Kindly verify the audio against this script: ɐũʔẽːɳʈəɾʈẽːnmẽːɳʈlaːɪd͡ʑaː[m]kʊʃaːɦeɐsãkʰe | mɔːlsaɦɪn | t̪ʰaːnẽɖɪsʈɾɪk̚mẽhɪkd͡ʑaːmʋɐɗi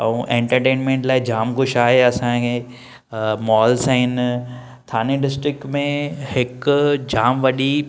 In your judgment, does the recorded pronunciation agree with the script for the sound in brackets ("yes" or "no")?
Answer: yes